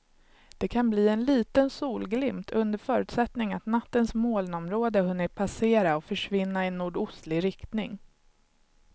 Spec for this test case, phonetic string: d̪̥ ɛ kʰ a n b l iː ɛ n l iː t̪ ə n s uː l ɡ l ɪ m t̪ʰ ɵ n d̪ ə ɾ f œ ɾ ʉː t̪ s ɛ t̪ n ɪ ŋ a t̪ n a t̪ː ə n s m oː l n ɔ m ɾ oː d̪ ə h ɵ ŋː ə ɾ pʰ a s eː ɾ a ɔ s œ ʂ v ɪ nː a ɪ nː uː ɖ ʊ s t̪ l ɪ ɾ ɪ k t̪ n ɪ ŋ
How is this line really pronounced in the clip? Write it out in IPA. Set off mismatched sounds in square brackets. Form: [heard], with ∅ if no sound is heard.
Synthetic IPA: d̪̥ ɛ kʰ a n b l iː ɛ n l iː t̪ ə n s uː l ɡ l ɪ m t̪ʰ ɵ n d̪ ə ɾ f [œː] ɾ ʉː t̪ s ɛ t̪ n ɪ ŋ a t̪ n a t̪ː ə n s m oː l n ɔ m ɾ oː d̪ ə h ɵ [nː] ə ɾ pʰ a s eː ɾ a ɔ [f] œ ʂ v ɪ nː a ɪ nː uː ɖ ʊ s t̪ l ɪ ɾ ɪ k t̪ n ɪ ŋ